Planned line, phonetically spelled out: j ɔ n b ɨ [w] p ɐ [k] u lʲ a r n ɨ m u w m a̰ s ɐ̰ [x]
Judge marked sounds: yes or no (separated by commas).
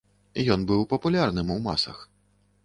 yes, no, yes